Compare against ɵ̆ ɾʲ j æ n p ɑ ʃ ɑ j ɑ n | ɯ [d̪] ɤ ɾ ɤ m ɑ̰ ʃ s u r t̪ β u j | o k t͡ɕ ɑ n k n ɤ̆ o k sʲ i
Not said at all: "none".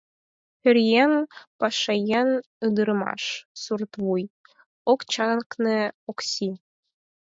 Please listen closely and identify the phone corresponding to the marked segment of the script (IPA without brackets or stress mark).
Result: d̪